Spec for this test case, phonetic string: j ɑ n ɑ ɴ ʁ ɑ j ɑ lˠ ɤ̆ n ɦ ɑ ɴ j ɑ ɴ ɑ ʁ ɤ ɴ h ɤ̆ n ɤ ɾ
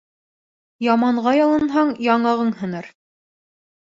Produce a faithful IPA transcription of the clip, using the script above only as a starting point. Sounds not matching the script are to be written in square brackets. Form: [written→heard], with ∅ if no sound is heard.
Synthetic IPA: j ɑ [n→m] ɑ ɴ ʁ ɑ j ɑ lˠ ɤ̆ n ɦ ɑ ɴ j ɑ ɴ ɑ ʁ ɤ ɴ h ɤ̆ n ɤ ɾ

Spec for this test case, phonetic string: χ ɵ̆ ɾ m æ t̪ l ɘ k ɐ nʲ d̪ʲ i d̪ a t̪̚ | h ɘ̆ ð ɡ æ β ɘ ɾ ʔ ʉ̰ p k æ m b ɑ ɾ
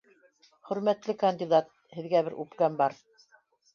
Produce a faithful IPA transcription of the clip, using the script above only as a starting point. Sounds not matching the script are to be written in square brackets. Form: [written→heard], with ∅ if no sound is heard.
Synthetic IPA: χ ɵ̆ ɾ m æ t̪ l ɘ k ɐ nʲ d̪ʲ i d̪ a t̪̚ | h ɘ̆ ð ɡ æ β ɘ ɾ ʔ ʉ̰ p k æ m b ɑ ɾ

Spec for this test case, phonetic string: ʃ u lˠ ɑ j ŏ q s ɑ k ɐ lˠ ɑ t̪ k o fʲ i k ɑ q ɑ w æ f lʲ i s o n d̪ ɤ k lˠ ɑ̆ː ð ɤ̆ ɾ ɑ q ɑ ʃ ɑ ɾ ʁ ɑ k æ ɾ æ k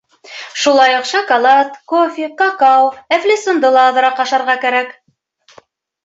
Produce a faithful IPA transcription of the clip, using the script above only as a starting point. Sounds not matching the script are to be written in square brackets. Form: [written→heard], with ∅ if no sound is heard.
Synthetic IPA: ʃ u lˠ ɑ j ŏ q [s→ʃ] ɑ k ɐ lˠ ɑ t̪ k o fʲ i [k→q] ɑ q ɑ w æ f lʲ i s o n d̪ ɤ [k→∅] lˠ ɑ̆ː ð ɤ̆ ɾ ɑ q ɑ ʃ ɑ ɾ ʁ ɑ k æ ɾ æ k

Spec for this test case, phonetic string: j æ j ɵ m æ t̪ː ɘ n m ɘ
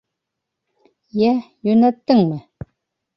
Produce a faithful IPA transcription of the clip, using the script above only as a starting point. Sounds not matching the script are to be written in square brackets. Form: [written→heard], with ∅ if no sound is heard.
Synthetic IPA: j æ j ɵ [m→n] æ t̪ː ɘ [n→ŋ] m ɘ

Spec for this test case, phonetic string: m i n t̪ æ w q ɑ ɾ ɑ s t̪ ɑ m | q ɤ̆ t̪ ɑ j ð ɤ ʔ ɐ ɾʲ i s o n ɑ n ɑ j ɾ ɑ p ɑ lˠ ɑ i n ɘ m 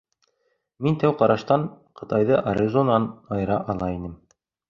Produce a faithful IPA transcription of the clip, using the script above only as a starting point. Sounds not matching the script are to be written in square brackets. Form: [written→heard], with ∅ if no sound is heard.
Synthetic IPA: m i n t̪ æ w q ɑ ɾ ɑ [s→ʃ] t̪ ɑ [m→ɴ] | q ɤ̆ t̪ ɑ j ð ɤ ʔ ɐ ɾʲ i [s→z] o n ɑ n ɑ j ɾ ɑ [p→ʔ] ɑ lˠ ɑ i n ɘ m

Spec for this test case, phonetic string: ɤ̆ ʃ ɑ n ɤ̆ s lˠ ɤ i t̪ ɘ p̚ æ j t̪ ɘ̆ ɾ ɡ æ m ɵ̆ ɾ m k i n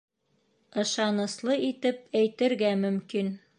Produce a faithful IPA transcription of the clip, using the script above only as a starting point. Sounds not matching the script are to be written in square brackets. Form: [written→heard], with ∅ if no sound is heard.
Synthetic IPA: ɤ̆ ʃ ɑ n ɤ̆ s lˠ ɤ i t̪ ɘ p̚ æ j t̪ ɘ̆ ɾ ɡ æ m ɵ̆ [ɾ→∅] m k i n

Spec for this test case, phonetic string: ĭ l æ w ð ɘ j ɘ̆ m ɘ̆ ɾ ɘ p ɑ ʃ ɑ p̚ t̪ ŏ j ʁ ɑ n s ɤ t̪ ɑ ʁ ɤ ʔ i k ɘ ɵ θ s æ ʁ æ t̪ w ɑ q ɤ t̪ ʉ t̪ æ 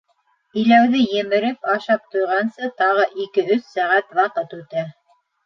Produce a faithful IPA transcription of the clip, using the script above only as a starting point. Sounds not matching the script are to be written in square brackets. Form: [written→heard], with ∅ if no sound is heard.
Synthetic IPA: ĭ l æ w ð ɘ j ɘ̆ m ɘ̆ ɾ ɘ p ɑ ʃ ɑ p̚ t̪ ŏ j ʁ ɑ n s ɤ t̪ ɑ ʁ ɤ ʔ i k ɘ ɵ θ s æ ʁ æ t̪ w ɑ q ɤ t̪ ʉ t̪ æ

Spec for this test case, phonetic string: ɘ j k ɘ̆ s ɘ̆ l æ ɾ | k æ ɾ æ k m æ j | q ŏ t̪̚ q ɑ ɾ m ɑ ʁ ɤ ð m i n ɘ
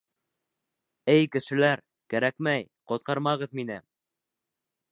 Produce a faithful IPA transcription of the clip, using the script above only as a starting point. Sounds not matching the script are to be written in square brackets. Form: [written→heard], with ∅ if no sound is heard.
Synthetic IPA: ɘ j k ɘ̆ [s→ʃ] ɘ̆ l æ ɾ | k æ ɾ æ k m æ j | q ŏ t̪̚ q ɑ ɾ m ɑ ʁ ɤ ð m i n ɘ

